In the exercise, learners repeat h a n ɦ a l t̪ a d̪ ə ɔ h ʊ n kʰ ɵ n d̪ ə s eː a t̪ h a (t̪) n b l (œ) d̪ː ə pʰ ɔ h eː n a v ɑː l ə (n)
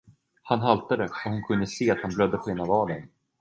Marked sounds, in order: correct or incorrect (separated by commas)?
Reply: incorrect, correct, correct